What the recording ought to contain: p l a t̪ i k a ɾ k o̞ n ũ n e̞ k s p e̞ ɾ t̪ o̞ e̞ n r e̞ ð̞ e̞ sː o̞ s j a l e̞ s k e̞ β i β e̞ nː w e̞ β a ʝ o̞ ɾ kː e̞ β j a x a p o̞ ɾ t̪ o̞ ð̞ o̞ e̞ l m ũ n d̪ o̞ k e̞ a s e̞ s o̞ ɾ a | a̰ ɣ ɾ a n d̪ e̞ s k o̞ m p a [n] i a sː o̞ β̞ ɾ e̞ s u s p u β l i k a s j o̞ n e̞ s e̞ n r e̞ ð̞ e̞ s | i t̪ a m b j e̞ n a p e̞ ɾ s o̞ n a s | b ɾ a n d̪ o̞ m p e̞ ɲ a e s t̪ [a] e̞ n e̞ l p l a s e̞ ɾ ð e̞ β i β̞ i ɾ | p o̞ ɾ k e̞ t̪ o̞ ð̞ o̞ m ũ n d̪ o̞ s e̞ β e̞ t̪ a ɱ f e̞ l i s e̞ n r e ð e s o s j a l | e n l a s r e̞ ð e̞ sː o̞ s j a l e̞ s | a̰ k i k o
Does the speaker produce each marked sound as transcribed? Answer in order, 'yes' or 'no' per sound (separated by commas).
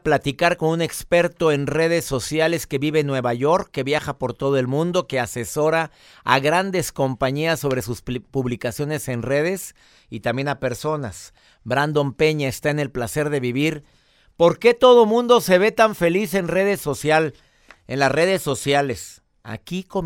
no, yes